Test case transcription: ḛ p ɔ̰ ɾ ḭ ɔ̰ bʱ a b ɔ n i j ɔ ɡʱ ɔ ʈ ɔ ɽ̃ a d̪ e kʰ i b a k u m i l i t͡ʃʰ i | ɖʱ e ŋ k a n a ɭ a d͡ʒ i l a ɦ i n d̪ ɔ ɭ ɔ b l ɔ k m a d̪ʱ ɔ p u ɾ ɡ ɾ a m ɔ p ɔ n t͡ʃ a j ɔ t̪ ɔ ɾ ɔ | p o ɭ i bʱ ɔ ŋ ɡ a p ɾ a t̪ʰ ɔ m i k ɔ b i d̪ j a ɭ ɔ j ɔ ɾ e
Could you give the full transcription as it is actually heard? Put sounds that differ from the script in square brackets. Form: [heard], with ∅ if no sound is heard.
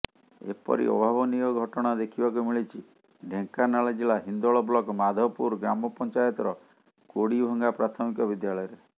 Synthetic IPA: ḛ p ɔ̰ ɾ ḭ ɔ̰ bʱ a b ɔ n i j ɔ ɡʱ ɔ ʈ ɔ ɽ̃ a d̪ e kʰ i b a k u m i [ɭ] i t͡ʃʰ i | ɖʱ e ŋ k a n a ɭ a d͡ʒ i l a ɦ i n d̪ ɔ ɭ ɔ b l ɔ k m a d̪ʱ ɔ p u ɾ ɡ ɾ a m ɔ p ɔ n t͡ʃ a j ɔ t̪ ɔ ɾ ɔ | [k] o [ɽ] i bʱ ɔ ŋ ɡ a p ɾ a t̪ʰ ɔ m i k ɔ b i d̪ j a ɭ ɔ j ɔ ɾ e